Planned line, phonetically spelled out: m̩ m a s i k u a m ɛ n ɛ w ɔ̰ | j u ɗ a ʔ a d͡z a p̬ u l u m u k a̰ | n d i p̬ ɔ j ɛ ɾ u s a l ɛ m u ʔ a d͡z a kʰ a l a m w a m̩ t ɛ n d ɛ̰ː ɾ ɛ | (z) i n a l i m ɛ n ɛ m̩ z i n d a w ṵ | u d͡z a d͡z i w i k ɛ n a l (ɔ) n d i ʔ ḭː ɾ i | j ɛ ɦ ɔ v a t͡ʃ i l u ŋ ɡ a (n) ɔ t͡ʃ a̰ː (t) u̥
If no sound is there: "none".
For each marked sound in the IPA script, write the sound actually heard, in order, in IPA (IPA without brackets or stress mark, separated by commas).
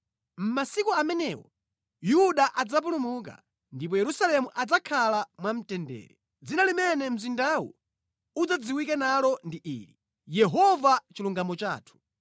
d͡z, ɔ, m, tʰ